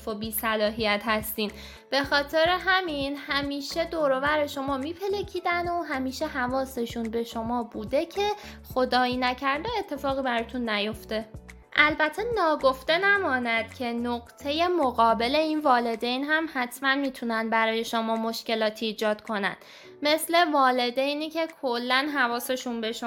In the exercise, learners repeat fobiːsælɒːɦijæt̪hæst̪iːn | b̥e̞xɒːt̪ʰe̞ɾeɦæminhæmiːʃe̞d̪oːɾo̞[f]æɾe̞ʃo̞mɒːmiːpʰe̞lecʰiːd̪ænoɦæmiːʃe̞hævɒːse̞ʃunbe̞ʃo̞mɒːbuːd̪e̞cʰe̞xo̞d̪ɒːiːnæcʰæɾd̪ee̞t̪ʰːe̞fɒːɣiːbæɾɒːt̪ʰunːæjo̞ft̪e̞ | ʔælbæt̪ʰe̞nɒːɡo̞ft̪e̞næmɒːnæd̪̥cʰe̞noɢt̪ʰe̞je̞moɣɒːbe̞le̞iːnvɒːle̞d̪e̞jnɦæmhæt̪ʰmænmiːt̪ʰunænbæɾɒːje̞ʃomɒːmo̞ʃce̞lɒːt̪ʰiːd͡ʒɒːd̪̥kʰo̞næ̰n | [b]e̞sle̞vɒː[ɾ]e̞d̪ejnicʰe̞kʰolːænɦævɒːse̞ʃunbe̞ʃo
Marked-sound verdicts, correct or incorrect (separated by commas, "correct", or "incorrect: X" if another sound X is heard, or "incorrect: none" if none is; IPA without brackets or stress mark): incorrect: v, incorrect: m, incorrect: l